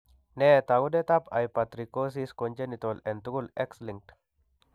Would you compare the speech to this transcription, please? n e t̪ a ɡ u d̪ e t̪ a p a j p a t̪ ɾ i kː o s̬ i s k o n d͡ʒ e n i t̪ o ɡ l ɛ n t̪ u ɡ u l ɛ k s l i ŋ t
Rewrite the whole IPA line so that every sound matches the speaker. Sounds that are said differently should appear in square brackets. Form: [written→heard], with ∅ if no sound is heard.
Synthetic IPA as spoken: n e t̪ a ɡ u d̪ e t̪ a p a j p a t̪ ɾ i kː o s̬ i s k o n d͡ʒ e n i t̪ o [ɡ→∅] l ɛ n t̪ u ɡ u l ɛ k s l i ŋ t